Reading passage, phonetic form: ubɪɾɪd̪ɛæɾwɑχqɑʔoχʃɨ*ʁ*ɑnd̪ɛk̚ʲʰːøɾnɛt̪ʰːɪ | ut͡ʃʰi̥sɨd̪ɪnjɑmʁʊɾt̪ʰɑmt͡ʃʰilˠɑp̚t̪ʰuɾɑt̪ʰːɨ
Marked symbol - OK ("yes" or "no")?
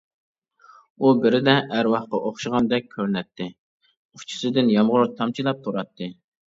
yes